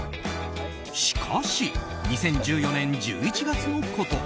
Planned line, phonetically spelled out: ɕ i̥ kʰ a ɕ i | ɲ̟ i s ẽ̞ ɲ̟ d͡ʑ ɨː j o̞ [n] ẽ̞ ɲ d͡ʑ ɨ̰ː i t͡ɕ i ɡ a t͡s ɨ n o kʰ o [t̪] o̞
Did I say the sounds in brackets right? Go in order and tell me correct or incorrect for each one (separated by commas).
correct, correct